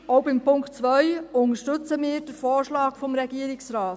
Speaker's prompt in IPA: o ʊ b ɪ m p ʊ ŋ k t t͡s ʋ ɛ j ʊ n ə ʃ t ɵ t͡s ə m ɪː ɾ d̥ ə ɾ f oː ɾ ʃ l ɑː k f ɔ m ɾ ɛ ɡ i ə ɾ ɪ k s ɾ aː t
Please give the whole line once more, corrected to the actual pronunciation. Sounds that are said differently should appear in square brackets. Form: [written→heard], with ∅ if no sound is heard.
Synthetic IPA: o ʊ b ɪ m p ʊ ŋ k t t͡s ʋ [ɛ→œ] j ʊ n ə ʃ t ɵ t͡s ə m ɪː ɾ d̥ ə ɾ f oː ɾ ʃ l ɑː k f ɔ m ɾ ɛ ɡ i ə ɾ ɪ k s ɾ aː t